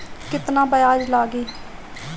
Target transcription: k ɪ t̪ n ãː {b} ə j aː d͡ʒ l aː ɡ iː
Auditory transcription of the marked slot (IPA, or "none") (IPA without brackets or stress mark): b